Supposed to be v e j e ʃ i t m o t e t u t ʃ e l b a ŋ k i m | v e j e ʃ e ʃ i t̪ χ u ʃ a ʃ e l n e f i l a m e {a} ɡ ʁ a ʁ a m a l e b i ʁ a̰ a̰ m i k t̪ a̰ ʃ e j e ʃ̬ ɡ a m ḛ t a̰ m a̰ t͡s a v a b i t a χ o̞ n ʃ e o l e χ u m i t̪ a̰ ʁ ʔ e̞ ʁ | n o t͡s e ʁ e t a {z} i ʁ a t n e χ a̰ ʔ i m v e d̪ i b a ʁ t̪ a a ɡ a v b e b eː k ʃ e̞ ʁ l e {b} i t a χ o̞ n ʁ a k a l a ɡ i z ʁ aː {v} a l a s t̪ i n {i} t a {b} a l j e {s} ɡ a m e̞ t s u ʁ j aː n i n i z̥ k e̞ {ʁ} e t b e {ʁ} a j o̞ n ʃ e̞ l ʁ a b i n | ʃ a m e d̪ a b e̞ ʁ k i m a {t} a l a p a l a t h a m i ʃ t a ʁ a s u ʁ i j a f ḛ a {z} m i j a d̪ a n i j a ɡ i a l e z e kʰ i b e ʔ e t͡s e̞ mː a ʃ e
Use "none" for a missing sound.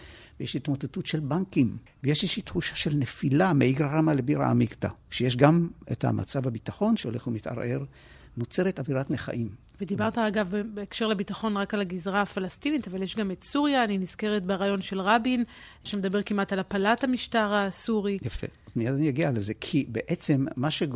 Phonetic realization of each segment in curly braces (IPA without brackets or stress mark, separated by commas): i, v, b, f, i, v, ʃ, ʁ, ʁ, t, z